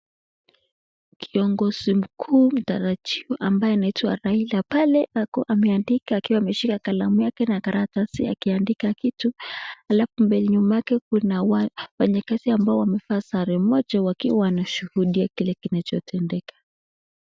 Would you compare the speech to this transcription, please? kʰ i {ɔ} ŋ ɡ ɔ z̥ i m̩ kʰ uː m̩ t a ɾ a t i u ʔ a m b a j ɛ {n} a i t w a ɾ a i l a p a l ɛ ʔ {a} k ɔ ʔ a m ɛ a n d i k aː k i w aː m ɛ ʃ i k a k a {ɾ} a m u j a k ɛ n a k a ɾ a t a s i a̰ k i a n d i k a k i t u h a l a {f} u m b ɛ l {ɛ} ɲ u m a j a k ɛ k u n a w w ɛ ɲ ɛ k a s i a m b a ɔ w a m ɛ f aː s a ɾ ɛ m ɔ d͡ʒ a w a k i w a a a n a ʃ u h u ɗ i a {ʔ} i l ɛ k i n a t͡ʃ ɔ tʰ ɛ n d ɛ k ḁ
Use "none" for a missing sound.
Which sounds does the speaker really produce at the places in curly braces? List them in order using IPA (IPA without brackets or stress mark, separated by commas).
ɔ, n, a, l, f, i, k